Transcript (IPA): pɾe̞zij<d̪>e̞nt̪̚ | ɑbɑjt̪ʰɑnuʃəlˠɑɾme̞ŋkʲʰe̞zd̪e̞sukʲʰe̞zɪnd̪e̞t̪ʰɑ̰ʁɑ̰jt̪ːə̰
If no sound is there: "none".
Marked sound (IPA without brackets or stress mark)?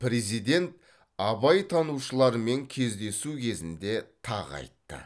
d̪